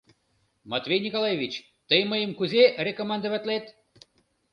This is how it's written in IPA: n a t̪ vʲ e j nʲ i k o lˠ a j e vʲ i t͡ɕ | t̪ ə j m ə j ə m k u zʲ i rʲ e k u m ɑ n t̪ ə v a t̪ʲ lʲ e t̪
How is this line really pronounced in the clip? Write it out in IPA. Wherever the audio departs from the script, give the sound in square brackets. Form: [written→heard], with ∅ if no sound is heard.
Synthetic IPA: [n→m] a t̪ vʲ e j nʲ i k o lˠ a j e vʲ i t͡ɕ | t̪ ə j m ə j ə m k u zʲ [i→e] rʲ e k [u→o] m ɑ n [t̪→d̪] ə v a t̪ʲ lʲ e t̪